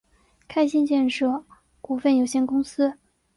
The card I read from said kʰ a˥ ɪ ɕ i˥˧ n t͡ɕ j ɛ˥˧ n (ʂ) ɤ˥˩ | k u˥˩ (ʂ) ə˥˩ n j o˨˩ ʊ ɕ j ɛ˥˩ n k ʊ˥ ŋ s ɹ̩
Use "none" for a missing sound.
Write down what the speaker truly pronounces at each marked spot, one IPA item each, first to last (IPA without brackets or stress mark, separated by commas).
ʂ, f